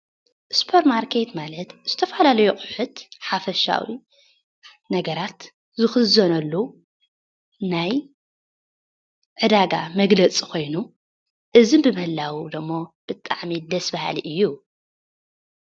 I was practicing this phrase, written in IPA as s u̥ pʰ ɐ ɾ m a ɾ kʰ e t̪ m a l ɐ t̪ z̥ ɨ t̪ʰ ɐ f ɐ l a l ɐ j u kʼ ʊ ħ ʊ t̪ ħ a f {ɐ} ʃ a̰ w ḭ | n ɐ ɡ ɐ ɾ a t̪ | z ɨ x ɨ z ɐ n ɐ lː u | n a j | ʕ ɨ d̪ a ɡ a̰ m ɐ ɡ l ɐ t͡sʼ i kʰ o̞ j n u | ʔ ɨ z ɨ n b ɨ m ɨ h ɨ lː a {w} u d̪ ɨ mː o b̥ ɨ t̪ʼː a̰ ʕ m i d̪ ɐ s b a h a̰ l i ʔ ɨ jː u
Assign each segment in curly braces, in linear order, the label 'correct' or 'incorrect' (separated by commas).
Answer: correct, correct